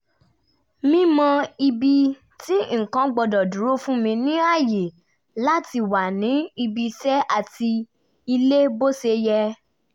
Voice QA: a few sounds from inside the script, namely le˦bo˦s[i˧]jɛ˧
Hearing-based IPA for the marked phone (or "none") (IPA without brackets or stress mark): e˧